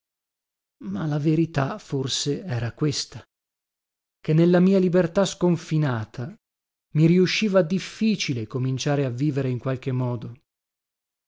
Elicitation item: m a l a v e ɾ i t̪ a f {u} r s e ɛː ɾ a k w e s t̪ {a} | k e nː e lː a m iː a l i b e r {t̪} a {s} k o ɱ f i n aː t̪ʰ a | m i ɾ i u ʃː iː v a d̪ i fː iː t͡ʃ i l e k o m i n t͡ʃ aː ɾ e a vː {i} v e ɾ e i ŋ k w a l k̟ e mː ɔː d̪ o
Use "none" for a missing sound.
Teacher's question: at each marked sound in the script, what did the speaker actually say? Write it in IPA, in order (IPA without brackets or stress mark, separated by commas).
o, a, t̪, s, iː